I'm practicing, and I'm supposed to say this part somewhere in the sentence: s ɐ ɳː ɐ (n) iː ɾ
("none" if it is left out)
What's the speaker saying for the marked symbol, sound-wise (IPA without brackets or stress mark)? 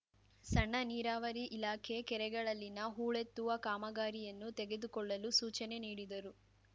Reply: n